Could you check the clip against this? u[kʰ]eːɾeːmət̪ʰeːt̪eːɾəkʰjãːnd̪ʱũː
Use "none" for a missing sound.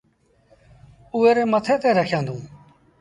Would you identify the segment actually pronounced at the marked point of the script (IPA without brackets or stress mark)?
none